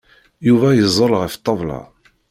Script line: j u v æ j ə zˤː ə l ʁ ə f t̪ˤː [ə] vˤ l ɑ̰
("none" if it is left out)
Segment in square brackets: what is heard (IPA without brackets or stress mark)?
ɑ